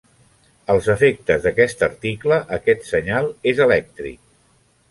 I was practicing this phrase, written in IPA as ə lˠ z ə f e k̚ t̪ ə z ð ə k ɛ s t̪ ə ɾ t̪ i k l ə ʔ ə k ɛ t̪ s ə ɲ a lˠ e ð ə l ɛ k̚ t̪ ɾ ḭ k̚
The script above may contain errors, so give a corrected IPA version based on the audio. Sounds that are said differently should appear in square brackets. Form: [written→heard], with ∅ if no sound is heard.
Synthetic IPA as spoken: ə lˠ z ə f e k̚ t̪ ə z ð ə k ɛ s t̪ ə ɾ t̪ i k l ə ʔ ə k ɛ t̪ s ə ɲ a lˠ e [ð→z] ə l ɛ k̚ t̪ ɾ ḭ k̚